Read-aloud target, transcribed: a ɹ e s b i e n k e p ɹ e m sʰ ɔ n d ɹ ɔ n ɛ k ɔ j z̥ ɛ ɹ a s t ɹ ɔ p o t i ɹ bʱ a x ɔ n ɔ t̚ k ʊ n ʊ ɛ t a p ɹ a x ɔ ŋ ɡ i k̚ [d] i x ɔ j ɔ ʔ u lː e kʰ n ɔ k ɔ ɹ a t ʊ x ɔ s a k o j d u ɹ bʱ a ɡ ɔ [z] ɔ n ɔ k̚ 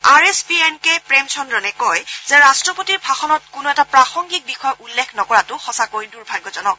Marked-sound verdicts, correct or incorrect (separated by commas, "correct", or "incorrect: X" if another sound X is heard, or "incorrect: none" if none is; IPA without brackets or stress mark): incorrect: b, correct